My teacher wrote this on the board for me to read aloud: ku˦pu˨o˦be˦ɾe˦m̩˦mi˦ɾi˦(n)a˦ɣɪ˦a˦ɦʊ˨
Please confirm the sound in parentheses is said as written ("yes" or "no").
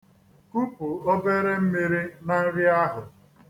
yes